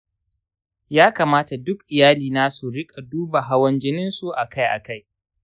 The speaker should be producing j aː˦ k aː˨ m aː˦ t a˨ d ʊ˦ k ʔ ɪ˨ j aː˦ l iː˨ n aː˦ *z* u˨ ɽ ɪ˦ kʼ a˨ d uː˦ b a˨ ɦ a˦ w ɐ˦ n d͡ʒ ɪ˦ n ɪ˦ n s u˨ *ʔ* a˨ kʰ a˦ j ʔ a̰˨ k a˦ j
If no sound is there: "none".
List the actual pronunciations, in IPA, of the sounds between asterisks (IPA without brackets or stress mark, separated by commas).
s, ʔ